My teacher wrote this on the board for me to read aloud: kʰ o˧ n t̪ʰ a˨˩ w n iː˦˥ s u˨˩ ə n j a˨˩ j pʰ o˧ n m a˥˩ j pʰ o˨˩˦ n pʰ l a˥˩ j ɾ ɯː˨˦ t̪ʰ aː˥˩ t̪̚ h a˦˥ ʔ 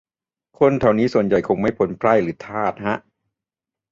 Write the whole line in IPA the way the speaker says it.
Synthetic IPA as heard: kʰ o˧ n t̪ʰ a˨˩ w n iː˦˥ s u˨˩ ə n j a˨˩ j kʰ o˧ ŋ m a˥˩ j pʰ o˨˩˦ n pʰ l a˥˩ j ɾ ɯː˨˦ t̪ʰ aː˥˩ t̪̚ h a˦˥ ʔ